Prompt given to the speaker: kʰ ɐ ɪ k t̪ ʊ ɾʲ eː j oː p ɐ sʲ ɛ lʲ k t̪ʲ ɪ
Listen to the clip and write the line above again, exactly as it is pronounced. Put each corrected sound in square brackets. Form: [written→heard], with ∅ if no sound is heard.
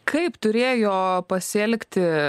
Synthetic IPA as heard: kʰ ɐ ɪ [k→p] t̪ ʊ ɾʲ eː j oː p ɐ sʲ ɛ lʲ k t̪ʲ ɪ

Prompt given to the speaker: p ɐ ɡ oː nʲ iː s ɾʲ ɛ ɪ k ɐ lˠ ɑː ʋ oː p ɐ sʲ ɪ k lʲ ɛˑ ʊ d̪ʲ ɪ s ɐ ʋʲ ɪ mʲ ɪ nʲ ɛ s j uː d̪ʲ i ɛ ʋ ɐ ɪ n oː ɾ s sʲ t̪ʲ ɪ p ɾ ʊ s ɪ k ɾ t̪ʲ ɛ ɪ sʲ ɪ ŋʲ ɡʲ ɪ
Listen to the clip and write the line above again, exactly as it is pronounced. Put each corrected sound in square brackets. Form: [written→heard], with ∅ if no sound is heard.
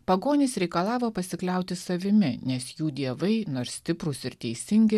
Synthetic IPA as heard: p ɐ ɡ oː nʲ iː s ɾʲ ɛ ɪ k ɐ lˠ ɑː ʋ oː p ɐ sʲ ɪ k lʲ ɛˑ ʊ [d̪ʲ→t̪ʲ] ɪ s ɐ ʋʲ ɪ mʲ ɪ nʲ ɛ s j uː d̪ʲ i ɛ ʋ ɐ ɪ n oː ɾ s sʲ t̪ʲ ɪ p ɾ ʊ s ɪ [k→∅] ɾ t̪ʲ ɛ ɪ sʲ ɪ ŋʲ ɡʲ ɪ

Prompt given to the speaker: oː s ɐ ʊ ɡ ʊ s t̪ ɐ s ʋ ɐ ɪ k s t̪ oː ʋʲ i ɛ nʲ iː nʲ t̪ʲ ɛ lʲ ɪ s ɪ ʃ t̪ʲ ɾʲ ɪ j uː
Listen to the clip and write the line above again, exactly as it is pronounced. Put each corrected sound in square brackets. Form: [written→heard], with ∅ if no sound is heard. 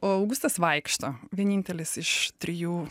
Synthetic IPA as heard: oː [s→∅] ɐ ʊ ɡ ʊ s t̪ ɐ s ʋ ɐ ɪ k [s→ʃ] t̪ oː ʋʲ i ɛ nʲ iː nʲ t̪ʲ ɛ lʲ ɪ s ɪ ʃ t̪ʲ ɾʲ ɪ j uː

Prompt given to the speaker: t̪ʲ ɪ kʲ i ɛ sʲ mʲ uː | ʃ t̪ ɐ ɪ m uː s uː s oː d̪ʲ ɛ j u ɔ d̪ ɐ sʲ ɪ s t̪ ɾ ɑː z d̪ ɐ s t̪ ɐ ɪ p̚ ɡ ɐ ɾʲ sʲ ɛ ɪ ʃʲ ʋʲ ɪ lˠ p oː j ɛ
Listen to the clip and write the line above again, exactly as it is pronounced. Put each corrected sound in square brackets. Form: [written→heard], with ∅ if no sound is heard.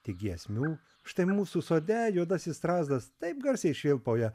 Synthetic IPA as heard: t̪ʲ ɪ [kʲ→ɡʲ] i ɛ sʲ mʲ uː | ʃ t̪ ɐ ɪ m uː s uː s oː d̪ʲ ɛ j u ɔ d̪ ɐ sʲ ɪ s t̪ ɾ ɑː z d̪ ɐ s t̪ ɐ ɪ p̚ ɡ ɐ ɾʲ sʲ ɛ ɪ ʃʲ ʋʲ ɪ lˠ p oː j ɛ

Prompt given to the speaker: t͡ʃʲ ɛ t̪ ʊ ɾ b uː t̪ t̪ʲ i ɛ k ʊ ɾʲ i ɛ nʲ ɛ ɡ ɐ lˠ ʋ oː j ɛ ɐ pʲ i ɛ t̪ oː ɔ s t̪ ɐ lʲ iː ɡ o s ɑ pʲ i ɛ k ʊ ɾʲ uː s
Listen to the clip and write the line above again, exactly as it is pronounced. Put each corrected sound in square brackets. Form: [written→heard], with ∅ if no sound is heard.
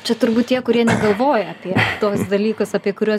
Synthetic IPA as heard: t͡ʃʲ ɛ t̪ ʊ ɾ b uː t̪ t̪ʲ i ɛ k ʊ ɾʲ i ɛ nʲ ɛ ɡ ɐ lˠ ʋ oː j ɛ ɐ pʲ i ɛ t̪ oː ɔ s [t̪→d̪] ɐ lʲ iː [ɡ→k] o s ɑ pʲ i ɛ k ʊ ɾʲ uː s

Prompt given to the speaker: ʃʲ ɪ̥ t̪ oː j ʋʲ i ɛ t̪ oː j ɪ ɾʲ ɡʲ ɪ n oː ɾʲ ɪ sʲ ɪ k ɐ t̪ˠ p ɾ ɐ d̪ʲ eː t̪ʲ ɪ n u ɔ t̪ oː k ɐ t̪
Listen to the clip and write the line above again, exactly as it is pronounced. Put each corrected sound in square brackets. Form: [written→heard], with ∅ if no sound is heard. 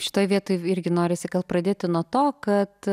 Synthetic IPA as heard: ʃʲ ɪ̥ t̪ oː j ʋʲ i ɛ t̪ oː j ɪ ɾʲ ɡʲ ɪ n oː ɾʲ ɪ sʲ ɪ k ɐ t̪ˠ p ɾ ɐ d̪ʲ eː t̪ʲ ɪ n u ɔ t̪ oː k ɐ t̪

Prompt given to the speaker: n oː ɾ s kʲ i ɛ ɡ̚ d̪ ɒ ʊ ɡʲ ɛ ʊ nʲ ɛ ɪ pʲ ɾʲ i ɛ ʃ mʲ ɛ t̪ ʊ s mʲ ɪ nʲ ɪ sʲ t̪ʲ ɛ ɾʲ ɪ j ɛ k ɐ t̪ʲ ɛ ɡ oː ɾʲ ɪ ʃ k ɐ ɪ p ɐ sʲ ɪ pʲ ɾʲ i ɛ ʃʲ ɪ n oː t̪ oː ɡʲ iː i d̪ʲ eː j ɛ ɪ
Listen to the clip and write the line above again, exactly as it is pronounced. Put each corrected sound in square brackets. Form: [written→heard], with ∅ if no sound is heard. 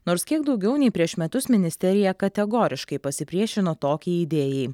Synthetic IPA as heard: n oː ɾ s kʲ i ɛ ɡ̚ d̪ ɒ ʊ ɡʲ ɛ ʊ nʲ ɛ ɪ pʲ ɾʲ i ɛ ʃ mʲ ɛ t̪ ʊ s mʲ ɪ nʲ ɪ sʲ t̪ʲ ɛ ɾʲ ɪ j ɛ k ɐ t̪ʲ ɛ ɡ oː ɾʲ ɪ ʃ k ɐ ɪ p ɐ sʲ ɪ pʲ ɾʲ i ɛ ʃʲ ɪ n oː t̪ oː [ɡʲ→kʲ] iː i d̪ʲ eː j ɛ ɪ

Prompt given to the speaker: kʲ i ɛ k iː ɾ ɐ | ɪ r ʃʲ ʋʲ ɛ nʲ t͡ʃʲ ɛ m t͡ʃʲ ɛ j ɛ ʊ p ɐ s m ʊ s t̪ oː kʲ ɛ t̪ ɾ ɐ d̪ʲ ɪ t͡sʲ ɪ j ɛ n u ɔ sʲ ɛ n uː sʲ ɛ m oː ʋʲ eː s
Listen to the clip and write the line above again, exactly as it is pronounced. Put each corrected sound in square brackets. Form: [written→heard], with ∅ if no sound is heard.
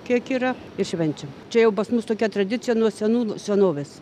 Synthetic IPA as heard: kʲ i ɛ k iː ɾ ɐ | ɪ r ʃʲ ʋʲ ɛ nʲ t͡ʃʲ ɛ m t͡ʃʲ ɛ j ɛ ʊ p ɐ s m ʊ s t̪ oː kʲ ɛ t̪ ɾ ɐ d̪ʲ ɪ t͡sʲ ɪ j ɛ n u ɔ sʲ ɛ n uː sʲ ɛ [m→n] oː ʋʲ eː s

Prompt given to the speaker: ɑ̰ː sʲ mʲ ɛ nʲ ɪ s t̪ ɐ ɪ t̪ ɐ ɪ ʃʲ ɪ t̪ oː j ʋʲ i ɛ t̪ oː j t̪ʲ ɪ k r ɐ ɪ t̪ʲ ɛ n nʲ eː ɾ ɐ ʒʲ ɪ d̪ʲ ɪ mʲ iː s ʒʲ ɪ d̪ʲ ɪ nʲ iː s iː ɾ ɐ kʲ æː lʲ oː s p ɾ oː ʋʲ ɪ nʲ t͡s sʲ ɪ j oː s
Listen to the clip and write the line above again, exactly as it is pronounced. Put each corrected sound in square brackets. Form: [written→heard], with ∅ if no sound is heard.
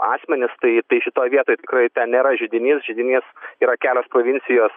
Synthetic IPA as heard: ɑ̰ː sʲ mʲ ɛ nʲ ɪ s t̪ ɐ ɪ t̪ ɐ ɪ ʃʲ ɪ t̪ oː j ʋʲ i ɛ t̪ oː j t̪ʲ ɪ k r ɐ ɪ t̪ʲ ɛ n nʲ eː ɾ ɐ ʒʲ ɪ d̪ʲ ɪ [mʲ→nʲ] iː s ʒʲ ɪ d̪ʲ ɪ nʲ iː s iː ɾ ɐ kʲ æː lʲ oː s p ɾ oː ʋʲ ɪ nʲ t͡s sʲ ɪ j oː s

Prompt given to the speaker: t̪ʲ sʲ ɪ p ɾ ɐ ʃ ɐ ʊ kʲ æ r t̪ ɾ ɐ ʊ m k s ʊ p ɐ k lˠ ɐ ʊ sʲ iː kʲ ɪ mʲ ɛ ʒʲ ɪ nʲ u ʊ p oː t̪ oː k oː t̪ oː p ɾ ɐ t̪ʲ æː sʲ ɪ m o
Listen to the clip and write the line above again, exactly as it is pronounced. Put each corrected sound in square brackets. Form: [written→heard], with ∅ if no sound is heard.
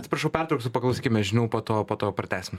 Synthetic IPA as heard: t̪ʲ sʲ ɪ p ɾ ɐ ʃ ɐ ʊ [kʲ→pʲ] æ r t̪ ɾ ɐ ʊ [m→∅] k s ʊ p ɐ k lˠ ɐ ʊ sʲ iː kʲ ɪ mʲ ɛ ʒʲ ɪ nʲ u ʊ p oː t̪ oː [k→p] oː t̪ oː p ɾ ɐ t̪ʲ æː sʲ ɪ m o

